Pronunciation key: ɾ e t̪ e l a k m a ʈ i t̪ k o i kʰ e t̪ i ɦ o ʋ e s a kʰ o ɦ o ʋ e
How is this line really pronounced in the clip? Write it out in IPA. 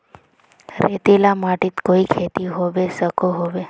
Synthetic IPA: ɾ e t̪ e l a m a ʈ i t̪ k o i kʰ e t̪ i ɦ o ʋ e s ə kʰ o ɦ o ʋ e